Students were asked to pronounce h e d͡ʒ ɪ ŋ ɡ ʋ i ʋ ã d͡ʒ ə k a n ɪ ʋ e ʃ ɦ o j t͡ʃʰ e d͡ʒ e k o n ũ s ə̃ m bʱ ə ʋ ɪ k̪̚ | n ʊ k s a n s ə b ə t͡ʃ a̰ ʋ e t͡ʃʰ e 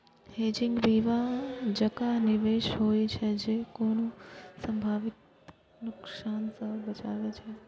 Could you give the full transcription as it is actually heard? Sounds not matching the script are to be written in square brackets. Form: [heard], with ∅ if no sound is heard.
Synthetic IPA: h e d͡ʒ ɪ ŋ ɡ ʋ i ʋ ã d͡ʒ ə k a n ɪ ʋ e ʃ ɦ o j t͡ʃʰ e d͡ʒ e k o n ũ s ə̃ m bʱ [a] ʋ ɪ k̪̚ | n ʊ k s a n s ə b ə t͡ʃ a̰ ʋ e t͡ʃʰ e